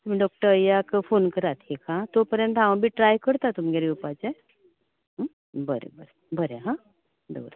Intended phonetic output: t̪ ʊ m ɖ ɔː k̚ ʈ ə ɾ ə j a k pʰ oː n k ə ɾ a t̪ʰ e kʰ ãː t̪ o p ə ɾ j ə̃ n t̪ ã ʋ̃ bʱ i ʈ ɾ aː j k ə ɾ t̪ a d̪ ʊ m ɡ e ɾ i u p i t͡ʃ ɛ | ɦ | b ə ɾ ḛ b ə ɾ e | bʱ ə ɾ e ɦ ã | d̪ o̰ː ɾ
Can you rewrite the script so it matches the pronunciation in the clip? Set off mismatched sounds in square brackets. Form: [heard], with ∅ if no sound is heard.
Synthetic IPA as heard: t̪ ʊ m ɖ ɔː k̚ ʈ ə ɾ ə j a k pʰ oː n k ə ɾ a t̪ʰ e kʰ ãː t̪ o p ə ɾ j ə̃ n t̪ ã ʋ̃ bʱ i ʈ ɾ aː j k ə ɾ t̪ a [t̪] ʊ m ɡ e ɾ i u p [a] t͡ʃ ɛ | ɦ | b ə ɾ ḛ b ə ɾ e | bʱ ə ɾ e ɦ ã | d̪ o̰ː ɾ